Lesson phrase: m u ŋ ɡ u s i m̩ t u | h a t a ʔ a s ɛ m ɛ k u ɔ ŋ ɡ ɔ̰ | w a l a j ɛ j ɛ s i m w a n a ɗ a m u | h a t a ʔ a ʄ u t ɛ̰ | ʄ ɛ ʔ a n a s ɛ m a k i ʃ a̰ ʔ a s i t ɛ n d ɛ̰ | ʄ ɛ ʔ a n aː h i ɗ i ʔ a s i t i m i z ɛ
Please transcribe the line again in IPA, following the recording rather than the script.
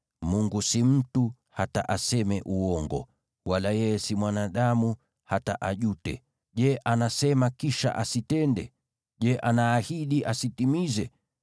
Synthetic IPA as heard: m u ŋ ɡ u s i m̩ t u | h a t a ʔ a s ɛ m ɛ ʔ u ɔ ŋ ɡ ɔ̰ | w a l a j ɛ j ɛ s i m w a n a ɗ a m u | h a t a ʔ a ʄ u t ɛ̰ | ʄ ɛ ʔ a n a s ɛ m a k i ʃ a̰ ʔ a s i t ɛ n d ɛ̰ | ʄ ɛ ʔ a n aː h i ɗ i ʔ a s i t i m i z ɛ